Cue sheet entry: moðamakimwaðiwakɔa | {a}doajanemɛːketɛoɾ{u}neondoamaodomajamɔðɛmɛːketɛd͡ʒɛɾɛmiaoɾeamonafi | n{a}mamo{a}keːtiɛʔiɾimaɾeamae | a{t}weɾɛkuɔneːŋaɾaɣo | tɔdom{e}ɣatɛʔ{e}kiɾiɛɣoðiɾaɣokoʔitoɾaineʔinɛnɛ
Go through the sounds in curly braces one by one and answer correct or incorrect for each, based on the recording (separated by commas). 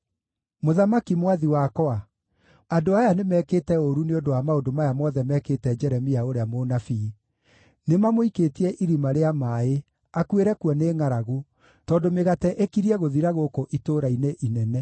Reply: correct, correct, incorrect, incorrect, incorrect, correct, correct